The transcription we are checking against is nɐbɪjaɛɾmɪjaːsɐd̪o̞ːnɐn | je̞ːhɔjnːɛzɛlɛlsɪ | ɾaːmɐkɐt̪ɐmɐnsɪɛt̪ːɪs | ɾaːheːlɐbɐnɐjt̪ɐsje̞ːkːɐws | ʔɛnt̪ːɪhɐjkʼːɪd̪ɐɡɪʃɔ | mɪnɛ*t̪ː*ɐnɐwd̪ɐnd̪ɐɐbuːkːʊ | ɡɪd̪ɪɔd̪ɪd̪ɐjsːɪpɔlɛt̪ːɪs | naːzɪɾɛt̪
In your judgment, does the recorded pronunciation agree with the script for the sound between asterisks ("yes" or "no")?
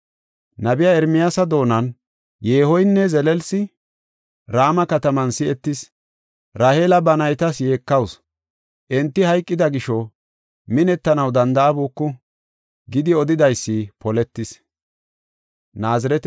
yes